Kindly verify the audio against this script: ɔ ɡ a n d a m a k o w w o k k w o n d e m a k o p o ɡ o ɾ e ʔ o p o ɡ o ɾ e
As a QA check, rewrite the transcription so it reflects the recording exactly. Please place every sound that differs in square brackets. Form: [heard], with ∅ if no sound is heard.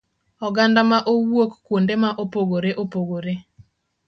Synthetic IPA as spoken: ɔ ɡ a n d a m a [ʔ] o w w o k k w o n d e m a [ʔ] o p o ɡ o ɾ e ʔ o p o ɡ o ɾ e